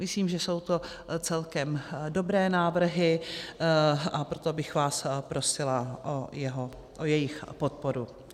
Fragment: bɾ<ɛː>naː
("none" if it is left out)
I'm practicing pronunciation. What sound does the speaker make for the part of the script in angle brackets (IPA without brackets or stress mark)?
ɛː